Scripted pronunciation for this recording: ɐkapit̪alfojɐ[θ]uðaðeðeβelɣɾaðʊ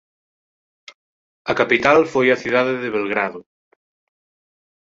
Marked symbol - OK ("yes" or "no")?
yes